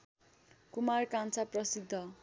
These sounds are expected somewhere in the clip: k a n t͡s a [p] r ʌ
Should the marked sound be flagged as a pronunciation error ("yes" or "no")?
no